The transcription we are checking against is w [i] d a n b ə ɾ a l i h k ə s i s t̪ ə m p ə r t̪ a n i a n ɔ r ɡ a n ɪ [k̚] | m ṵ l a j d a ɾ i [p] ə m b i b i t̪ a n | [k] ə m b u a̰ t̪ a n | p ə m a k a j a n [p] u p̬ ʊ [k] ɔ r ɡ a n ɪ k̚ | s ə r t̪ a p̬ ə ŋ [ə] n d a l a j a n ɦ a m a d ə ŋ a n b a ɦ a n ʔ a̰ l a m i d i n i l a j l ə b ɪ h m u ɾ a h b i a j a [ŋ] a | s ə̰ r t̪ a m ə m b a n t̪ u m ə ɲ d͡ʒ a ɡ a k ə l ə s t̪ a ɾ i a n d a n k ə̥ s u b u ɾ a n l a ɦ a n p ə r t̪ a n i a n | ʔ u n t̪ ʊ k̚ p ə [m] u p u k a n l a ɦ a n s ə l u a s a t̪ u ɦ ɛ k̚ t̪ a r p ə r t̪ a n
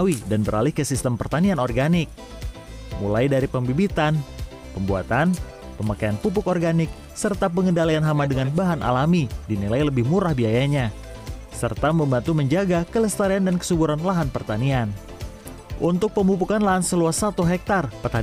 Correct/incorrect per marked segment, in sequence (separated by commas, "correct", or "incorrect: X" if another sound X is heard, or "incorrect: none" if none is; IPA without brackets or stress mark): correct, correct, correct, incorrect: p, correct, correct, correct, incorrect: ɲ, correct